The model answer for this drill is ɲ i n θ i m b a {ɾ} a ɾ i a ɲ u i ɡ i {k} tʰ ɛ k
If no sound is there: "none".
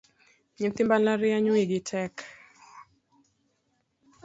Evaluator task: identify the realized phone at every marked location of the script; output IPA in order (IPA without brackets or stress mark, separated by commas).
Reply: l, none